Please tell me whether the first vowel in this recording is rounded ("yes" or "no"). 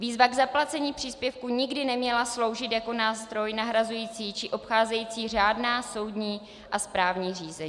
no